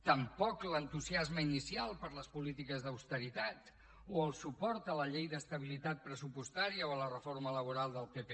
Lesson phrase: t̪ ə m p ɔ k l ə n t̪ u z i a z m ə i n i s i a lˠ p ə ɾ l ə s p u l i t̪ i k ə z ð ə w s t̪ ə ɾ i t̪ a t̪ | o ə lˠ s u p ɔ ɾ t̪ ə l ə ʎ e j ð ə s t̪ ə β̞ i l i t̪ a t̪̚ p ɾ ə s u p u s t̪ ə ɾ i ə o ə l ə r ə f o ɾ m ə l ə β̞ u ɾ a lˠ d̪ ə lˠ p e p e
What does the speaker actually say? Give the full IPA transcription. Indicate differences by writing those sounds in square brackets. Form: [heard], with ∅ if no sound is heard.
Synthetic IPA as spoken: t̪ ə m p ɔ k l ə n t̪ u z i a z m ə i n i s i a lˠ p ə ɾ l ə s p u l i t̪ i k ə z ð ə w s t̪ ə ɾ i t̪ a t̪ | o ə lˠ s u p ɔ ɾ t̪ ə l ə ʎ e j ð ə s t̪ ə β̞ i l i t̪ a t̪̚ p ɾ ə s u p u s t̪ [a] ɾ i ə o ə l ə r ə f o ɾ m ə l ə β̞ u ɾ a lˠ d̪ ə lˠ p e p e